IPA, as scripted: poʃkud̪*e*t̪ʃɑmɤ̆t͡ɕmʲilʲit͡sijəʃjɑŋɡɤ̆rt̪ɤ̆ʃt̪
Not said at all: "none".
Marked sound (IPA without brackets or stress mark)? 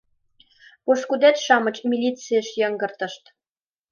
æ